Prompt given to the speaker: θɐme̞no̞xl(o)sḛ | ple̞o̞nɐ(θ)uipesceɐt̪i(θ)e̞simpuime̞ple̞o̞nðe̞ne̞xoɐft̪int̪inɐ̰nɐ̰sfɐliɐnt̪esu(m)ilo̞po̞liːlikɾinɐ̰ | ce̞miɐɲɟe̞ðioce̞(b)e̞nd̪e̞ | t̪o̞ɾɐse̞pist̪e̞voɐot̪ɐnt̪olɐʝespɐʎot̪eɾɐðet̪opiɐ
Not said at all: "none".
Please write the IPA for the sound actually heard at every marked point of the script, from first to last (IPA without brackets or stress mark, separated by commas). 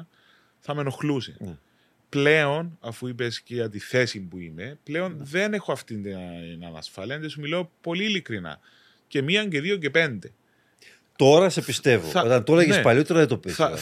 u, f, θ, m, p